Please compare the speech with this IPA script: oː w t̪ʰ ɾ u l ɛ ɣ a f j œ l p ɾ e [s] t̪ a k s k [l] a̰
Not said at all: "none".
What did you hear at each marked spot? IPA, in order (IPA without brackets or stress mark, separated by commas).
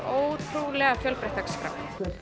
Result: h, ɾ